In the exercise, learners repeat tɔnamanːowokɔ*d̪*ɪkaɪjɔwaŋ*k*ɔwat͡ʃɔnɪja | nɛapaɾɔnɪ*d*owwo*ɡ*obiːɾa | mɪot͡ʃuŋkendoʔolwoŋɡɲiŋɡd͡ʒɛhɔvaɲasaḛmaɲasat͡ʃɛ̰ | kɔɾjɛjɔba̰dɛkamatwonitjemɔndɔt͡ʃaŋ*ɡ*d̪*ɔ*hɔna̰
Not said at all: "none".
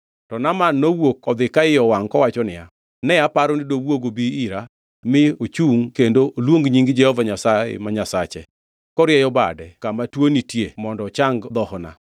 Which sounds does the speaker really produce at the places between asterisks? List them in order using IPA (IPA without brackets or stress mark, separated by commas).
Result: d̪, k, d, ɡ, ɡ, ɔ